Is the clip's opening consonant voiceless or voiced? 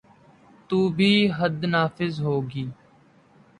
voiceless